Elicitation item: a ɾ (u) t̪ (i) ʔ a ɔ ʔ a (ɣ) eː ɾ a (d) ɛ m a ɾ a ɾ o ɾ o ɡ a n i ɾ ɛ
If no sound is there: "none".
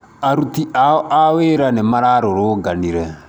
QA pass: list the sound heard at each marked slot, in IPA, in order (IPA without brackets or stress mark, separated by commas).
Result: u, i, w, n